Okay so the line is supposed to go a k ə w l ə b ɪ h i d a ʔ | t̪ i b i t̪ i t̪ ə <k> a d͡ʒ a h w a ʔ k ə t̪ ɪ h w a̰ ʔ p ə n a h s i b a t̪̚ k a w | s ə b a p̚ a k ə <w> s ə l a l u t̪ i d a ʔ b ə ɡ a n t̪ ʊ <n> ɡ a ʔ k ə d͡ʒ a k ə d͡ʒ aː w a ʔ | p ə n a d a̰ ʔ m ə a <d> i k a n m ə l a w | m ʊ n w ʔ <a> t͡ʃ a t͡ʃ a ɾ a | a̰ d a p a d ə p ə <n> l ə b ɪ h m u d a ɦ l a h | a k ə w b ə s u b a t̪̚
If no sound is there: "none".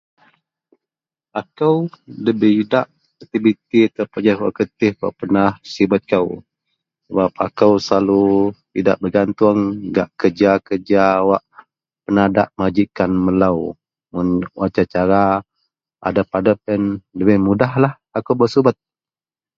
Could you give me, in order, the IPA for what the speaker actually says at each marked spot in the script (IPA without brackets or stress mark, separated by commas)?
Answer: p, w, ŋ, d͡ʒ, a, n